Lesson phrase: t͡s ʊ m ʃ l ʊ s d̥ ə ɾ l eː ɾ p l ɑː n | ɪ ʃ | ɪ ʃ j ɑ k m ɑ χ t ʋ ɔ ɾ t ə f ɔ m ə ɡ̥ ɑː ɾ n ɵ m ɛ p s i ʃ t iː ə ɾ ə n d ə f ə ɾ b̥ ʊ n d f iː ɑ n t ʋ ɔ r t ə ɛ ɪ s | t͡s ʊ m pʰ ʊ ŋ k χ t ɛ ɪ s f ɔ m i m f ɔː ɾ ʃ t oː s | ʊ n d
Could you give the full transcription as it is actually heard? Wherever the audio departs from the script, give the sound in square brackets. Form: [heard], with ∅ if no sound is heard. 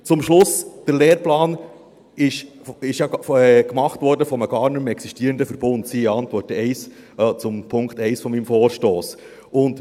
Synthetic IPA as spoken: t͡s ʊ m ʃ l ʊ s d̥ ə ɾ l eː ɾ p l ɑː n | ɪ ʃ | ɪ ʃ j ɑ k m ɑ χ t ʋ ɔ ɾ [d] ə f ɔ m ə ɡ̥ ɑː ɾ n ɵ m ɛ [k] s i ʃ t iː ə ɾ ə n d ə f ə ɾ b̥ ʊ n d [s] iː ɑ n t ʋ ɔ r t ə ɛ ɪ s | t͡s ʊ m pʰ ʊ ŋ k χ t ɛ ɪ s f ɔ m i m f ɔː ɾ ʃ t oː s | ʊ n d